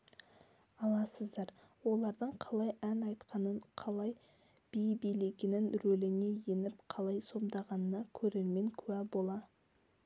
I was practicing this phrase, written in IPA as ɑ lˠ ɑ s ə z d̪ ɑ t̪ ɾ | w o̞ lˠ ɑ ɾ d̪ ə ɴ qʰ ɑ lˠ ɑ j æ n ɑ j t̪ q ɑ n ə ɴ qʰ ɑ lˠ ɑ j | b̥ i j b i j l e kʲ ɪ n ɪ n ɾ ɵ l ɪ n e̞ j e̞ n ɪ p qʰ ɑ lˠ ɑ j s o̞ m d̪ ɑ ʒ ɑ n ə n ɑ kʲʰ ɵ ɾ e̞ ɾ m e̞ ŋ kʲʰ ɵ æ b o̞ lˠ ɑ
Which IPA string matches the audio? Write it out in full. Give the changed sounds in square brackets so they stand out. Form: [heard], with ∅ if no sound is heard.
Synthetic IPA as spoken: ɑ lˠ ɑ s ə z d̪ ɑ [∅] ɾ | w o̞ lˠ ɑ ɾ d̪ ə ɴ qʰ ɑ lˠ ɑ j æ n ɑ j t̪ q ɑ n ə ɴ qʰ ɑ lˠ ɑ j | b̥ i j b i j l e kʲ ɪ n ɪ n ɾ ɵ l ɪ n e̞ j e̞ n ɪ p qʰ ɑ lˠ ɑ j s o̞ m d̪ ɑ [ʁ] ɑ n ə n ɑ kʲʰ ɵ ɾ e̞ ɾ m e̞ ŋ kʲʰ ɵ æ b o̞ lˠ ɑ